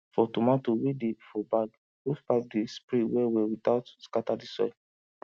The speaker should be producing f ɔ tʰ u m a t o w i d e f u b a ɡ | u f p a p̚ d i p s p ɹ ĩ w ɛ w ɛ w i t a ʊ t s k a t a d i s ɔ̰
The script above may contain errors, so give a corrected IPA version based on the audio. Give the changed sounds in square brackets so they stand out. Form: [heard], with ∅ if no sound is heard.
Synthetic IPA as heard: f ɔ [t] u m a t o w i d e f [ɔ] b a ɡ | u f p a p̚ d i [∅] s p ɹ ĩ w ɛ w ɛ w i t a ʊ t s k a t a d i s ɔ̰